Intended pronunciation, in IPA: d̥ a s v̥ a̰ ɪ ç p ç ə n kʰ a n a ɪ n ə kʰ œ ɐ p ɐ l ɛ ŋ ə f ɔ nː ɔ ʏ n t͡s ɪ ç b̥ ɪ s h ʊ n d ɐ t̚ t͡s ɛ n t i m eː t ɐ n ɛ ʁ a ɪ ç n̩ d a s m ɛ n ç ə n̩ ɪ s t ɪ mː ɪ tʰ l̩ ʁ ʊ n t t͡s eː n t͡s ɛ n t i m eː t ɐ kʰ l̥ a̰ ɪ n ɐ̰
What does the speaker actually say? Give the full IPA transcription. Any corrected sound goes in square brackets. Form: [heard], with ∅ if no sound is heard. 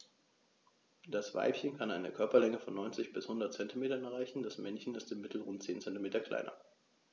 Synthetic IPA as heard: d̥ a s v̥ a̰ ɪ [∅] p ç ə n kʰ a n a ɪ n ə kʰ œ ɐ p ɐ l ɛ ŋ ə f ɔ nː ɔ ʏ n t͡s ɪ ç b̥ ɪ s h ʊ n d ɐ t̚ t͡s ɛ n t i m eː t ɐ n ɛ ʁ a ɪ ç n̩ d a s m ɛ n ç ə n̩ ɪ s t ɪ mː ɪ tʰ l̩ ʁ ʊ n t t͡s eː n t͡s ɛ n t i m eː t ɐ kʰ l̥ a̰ ɪ n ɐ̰